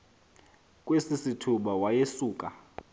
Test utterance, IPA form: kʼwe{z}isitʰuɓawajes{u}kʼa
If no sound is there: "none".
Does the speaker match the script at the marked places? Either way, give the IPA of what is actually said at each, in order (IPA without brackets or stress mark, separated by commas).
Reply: s, uː